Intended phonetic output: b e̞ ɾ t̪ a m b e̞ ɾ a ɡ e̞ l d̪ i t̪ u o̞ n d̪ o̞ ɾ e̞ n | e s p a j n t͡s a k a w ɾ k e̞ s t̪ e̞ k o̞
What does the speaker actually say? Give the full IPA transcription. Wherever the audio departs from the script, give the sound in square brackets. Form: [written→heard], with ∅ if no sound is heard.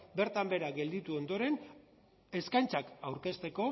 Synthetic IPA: b e̞ ɾ t̪ a m b e̞ ɾ a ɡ e̞ l d̪ i t̪ u o̞ n d̪ o̞ ɾ e̞ n | e s [p→k] a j n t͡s a k a w ɾ k e̞ s t̪ e̞ k o̞